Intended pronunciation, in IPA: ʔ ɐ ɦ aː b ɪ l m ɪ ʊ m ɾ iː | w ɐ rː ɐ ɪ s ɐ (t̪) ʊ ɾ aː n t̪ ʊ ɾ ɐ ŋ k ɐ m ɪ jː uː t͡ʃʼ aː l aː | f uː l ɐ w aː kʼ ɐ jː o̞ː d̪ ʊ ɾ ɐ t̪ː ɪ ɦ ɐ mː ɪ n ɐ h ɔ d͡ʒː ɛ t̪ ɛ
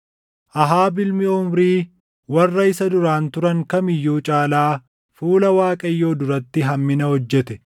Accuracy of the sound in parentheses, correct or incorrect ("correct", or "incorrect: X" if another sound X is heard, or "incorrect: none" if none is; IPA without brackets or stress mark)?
incorrect: d̪